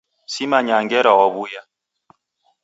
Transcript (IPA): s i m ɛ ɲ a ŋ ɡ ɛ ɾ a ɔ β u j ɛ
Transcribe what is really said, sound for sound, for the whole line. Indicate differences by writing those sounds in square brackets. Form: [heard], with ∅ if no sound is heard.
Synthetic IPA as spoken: s i m [a] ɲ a ŋ ɡ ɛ ɾ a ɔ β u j [a]